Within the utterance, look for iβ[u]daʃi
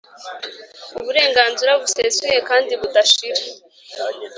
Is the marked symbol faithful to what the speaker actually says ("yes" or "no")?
yes